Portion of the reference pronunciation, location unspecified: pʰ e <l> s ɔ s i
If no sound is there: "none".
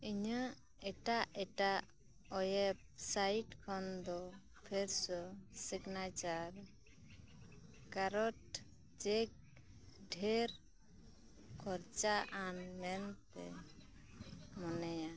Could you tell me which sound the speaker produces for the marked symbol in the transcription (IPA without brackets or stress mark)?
ɾ